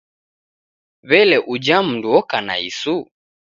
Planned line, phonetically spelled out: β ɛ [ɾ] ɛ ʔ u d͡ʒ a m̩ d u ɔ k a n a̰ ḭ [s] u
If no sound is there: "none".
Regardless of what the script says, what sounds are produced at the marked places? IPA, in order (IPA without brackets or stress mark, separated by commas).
l, s